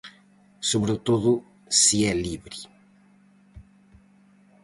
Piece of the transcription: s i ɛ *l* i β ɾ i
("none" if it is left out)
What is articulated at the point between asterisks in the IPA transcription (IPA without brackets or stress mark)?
l